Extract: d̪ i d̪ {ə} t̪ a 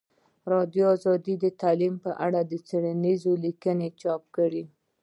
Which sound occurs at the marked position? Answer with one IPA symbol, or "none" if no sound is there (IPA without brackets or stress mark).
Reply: ə